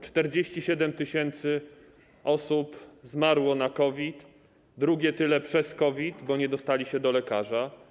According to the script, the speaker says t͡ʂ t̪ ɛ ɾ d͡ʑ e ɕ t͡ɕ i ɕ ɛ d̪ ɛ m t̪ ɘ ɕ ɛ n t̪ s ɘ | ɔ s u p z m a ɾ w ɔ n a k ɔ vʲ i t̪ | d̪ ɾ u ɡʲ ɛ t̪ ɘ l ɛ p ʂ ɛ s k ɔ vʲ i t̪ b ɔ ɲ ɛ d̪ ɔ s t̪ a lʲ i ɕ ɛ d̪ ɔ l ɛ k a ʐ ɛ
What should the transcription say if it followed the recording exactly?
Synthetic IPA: t͡ʂ t̪ ɛ ɾ d͡ʑ e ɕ t͡ɕ i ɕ ɛ d̪ ɛ m t̪ ɘ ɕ ɛ n t̪ s ɘ | ɔ s u p z m a ɾ w ɔ n a k ɔ vʲ i t̪ | d̪ ɾ u ɡʲ ɛ t̪ ɘ l ɛ p ʂ ɛ s k ɔ vʲ i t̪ b ɔ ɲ ɛ d̪ ɔ s t̪ a lʲ i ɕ ɛ d̪ ɔ l ɛ k a ʐ a